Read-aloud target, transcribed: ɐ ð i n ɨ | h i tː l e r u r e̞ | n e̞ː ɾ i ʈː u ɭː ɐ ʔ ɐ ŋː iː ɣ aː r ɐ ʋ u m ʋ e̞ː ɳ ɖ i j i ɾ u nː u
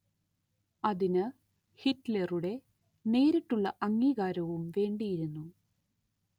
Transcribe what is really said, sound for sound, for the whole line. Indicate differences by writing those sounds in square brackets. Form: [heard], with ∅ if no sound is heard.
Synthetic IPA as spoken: ɐ ð i n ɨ | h i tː l e r u [ɽ] e̞ | n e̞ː ɾ i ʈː u ɭː ɐ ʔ ɐ ŋː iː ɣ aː [ɾ] ɐ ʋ u m ʋ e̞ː ɳ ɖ i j i ɾ u nː u